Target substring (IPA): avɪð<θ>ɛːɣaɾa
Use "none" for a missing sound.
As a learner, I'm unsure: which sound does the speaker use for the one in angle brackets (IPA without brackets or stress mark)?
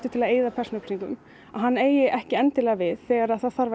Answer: θ